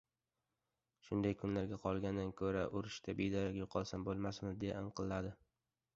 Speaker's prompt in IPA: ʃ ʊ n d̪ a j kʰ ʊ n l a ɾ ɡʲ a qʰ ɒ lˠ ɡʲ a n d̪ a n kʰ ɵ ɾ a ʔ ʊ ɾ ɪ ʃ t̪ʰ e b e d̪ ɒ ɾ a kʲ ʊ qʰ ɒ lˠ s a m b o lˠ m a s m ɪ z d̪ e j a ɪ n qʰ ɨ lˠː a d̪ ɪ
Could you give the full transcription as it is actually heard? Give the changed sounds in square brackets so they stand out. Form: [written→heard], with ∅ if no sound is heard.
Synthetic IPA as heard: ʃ ʊ n d̪ a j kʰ ʊ n l a ɾ ɡʲ a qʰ ɒ lˠ ɡʲ a n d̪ a n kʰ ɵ ɾ a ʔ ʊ ɾ ɪ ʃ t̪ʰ [e→a] b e d̪ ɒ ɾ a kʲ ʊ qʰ ɒ lˠ s a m b o lˠ m a s m ɪ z d̪ e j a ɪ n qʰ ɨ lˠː a d̪ ɪ